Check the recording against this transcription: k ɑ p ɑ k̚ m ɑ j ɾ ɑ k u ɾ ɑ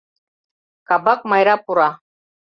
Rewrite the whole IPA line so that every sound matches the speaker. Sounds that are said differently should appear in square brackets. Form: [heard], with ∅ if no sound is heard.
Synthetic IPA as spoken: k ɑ [b] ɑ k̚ m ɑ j ɾ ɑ [p] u ɾ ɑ